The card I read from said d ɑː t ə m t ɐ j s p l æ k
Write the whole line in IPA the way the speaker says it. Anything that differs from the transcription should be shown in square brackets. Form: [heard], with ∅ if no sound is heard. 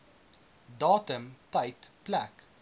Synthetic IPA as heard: d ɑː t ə m t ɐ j [t] p l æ k